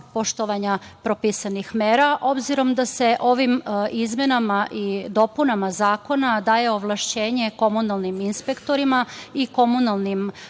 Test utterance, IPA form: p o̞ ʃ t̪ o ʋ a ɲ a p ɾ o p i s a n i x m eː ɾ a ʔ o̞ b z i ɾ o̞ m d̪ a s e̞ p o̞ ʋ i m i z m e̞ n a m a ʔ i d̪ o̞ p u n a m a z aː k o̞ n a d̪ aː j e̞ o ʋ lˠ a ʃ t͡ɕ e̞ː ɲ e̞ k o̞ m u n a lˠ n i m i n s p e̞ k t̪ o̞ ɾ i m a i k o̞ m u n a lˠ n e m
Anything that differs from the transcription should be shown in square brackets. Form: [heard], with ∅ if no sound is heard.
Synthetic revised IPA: p o̞ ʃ t̪ o ʋ a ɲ a p ɾ o p i s a n i x m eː ɾ a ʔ o̞ b z i ɾ o̞ m d̪ a s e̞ [ʔ] o̞ ʋ i m i z m e̞ n a m a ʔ i d̪ o̞ p u n a m a z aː k o̞ n a d̪ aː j e̞ o ʋ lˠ a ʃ t͡ɕ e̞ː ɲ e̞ k o̞ m u n a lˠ n i m i n s p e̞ k t̪ o̞ ɾ i m a i k o̞ m u n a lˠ n [i] m